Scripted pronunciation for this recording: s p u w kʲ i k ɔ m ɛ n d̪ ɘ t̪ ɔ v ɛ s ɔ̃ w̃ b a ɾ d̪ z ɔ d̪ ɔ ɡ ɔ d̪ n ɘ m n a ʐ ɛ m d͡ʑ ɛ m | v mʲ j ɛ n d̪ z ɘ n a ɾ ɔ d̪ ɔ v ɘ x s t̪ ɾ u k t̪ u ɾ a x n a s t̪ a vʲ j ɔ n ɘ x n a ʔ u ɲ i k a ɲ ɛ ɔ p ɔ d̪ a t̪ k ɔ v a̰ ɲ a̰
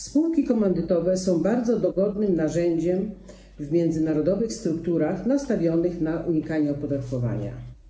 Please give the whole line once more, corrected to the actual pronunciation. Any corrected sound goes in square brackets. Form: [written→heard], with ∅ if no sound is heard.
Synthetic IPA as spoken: s p u w kʲ i k ɔ m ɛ n d̪ ɘ t̪ ɔ v ɛ s ɔ̃ w̃ b a ɾ d̪ z ɔ d̪ ɔ ɡ ɔ d̪ n ɘ m n a ʐ ɛ [m→ɲ] d͡ʑ ɛ m | v mʲ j ɛ n d̪ z ɘ n a ɾ ɔ d̪ ɔ v ɘ x s t̪ ɾ u k t̪ u ɾ a x n a s t̪ a vʲ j ɔ n ɘ x n a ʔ u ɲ i k a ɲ ɛ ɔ p ɔ d̪ a t̪ k ɔ v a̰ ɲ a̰